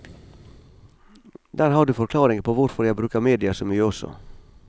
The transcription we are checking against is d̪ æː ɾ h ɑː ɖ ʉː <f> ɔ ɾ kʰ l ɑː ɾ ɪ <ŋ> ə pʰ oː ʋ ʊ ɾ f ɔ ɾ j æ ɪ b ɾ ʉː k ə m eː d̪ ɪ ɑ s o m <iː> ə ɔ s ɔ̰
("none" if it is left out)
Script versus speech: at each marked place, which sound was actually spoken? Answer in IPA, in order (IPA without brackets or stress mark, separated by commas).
f, ŋ, yː